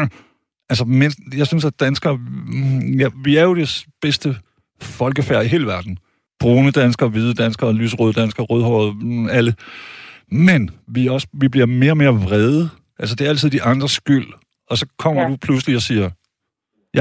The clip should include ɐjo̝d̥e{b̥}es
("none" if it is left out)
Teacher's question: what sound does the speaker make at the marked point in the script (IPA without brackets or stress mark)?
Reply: b̥